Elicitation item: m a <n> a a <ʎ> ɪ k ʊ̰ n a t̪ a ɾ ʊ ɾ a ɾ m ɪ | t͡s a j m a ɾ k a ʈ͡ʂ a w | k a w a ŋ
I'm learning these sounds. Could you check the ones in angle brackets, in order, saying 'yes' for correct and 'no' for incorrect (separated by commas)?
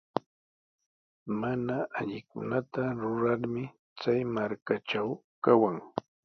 yes, yes